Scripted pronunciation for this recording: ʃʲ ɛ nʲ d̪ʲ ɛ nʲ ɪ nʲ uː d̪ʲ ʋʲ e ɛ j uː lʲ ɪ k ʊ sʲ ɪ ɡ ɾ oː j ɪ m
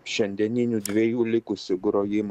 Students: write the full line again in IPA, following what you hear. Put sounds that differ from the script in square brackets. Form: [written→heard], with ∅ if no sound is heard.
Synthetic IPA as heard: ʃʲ ɛ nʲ d̪ʲ ɛ nʲ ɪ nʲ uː d̪ʲ ʋʲ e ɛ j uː lʲ ɪ k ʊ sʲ ɪ ɡ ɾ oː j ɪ m